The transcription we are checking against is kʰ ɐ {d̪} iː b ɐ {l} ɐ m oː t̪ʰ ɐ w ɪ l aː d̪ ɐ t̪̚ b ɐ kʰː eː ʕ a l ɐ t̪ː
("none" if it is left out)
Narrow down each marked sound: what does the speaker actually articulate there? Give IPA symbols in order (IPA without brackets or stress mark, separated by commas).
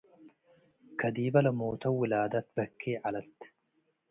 d̪, l